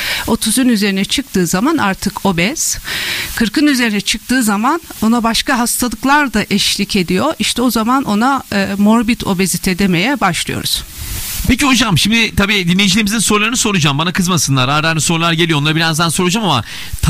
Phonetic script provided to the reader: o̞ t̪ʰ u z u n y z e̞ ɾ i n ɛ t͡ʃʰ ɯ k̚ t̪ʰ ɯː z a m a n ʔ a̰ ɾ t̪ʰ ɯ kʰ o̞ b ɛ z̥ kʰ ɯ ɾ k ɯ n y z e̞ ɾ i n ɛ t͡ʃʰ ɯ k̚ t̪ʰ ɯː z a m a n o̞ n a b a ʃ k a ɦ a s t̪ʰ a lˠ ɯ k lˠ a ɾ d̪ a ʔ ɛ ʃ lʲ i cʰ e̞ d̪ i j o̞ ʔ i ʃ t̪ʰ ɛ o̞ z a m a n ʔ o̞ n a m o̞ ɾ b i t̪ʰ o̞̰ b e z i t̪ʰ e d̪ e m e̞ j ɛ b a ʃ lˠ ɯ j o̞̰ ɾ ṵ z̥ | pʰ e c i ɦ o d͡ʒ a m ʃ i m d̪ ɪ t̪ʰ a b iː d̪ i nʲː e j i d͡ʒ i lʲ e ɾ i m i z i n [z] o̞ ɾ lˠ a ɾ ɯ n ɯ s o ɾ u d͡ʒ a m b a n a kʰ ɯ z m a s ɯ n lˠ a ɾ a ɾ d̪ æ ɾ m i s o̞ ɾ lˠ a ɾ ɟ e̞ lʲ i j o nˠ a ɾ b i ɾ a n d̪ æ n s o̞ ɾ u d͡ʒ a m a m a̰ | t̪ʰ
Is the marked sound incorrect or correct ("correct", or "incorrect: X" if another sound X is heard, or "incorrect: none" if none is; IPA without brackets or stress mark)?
incorrect: s